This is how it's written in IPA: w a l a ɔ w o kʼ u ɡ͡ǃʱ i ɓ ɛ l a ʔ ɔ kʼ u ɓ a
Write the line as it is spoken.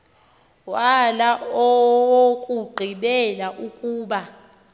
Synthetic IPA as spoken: w a l a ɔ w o kʼ u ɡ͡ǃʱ i ɓ ɛ l a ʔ u kʼ uː ɓ a